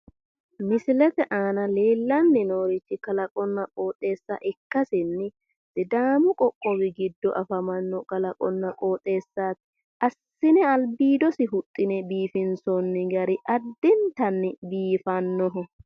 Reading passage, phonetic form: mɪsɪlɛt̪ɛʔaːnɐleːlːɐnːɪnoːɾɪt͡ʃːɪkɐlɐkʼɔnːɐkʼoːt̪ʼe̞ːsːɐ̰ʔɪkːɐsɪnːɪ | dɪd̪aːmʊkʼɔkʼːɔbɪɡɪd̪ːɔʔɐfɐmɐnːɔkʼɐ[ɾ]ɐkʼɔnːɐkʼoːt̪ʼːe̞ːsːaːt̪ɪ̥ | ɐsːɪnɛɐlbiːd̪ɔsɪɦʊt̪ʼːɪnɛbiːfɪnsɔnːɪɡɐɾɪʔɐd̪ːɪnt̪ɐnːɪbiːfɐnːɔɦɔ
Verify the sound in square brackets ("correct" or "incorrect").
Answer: incorrect